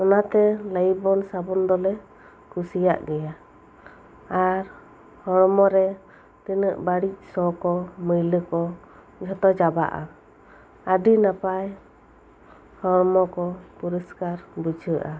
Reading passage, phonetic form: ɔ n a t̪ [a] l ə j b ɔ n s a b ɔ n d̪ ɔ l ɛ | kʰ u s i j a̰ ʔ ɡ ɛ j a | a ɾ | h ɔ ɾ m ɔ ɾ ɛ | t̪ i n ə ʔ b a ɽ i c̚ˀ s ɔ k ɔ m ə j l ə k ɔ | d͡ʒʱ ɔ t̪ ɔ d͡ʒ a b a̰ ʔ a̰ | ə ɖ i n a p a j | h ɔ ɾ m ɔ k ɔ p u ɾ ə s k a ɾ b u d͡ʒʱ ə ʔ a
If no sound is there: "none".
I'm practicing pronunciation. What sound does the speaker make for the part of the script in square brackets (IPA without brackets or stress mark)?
ɛ